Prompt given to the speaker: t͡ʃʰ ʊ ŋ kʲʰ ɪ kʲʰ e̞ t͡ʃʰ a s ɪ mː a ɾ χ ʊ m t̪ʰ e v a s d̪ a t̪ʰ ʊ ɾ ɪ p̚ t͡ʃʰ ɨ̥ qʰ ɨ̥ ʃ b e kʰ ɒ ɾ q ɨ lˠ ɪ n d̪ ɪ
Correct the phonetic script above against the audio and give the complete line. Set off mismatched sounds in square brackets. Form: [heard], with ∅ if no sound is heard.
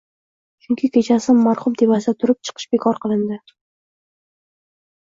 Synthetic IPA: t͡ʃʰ ʊ ŋ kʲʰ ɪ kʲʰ e̞ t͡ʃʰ a s ɪ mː a ɾ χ ʊ m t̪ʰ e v a s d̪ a t̪ʰ ʊ ɾ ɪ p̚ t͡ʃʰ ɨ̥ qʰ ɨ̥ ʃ b e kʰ ɒ ɾ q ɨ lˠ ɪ n d̪ ɪ